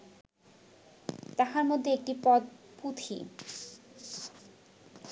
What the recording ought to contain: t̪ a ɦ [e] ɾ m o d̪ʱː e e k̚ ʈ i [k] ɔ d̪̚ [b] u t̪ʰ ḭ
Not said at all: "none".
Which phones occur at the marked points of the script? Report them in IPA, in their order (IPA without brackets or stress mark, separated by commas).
a, p, p